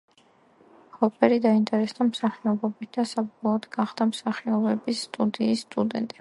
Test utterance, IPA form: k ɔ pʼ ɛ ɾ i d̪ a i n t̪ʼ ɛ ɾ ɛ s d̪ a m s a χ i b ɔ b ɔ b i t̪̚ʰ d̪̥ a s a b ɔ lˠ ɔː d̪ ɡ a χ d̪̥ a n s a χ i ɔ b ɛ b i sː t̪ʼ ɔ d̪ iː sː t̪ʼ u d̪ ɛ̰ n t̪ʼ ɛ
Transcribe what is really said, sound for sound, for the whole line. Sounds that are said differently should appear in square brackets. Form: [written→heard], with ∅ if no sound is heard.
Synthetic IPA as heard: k ɔ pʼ ɛ ɾ i d̪ a i n t̪ʼ ɛ ɾ ɛ s d̪ a m s a χ i [b→∅] ɔ b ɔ b i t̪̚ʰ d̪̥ a s a b ɔ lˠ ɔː d̪ ɡ a χ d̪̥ a [n→m] s a χ i ɔ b ɛ b i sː t̪ʼ [ɔ→u] d̪ iː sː t̪ʼ u d̪ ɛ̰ n t̪ʼ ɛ